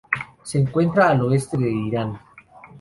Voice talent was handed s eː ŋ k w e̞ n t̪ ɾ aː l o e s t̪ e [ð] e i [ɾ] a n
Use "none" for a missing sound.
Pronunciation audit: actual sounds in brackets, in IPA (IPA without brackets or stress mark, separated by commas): ð, ɾ